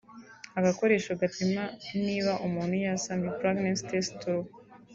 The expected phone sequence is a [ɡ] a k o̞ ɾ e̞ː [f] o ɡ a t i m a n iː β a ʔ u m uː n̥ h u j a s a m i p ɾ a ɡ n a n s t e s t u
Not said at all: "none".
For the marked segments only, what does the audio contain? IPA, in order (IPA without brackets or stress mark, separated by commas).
ɡ, ʃ